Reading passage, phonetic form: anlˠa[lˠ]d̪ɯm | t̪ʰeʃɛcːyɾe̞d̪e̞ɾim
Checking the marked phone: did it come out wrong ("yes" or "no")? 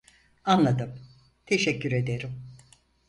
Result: yes